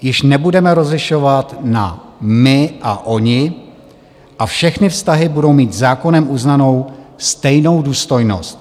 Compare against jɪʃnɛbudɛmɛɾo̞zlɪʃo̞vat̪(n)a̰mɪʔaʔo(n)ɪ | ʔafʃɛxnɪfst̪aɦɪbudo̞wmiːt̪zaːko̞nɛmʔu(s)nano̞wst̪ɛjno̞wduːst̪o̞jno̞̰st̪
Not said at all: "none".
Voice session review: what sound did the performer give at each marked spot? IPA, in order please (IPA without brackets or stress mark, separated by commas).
n, ɲ, z